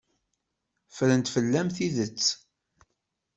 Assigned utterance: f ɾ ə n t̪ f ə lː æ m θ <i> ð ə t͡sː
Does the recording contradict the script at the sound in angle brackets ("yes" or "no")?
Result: no